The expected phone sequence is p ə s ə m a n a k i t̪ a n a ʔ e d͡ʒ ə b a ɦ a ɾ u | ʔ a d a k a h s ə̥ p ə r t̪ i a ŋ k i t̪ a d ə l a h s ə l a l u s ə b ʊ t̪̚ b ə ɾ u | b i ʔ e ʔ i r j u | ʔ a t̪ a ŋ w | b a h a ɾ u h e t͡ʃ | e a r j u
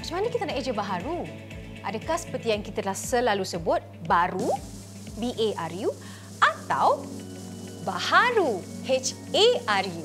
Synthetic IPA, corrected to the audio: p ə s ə m a n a k i t̪ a n a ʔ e d͡ʒ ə b a ɦ a ɾ u | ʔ a d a k a h s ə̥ p ə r t̪ i a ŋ k i t̪ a d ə l a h s ə l a l u s ə b ʊ t̪̚ b a ɾ u | b i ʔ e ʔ a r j u | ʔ a t̪ a w | b a h a ɾ u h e t͡ʃ | e a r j u